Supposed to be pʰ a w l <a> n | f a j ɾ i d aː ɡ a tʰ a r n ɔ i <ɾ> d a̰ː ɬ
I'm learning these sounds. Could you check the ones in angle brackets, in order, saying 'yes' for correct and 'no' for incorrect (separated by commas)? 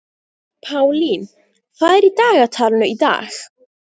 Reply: no, no